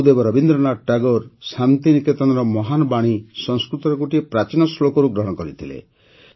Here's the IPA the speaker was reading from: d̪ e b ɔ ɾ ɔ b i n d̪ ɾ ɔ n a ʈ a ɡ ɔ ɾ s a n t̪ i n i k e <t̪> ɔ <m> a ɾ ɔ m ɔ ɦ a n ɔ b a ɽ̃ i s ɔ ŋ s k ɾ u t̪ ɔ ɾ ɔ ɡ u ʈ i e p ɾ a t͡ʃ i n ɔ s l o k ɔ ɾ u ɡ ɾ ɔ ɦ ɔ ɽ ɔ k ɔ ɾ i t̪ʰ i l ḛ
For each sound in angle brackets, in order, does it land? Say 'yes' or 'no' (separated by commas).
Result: yes, no